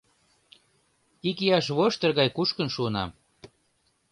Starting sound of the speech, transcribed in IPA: i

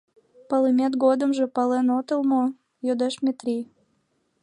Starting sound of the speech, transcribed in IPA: p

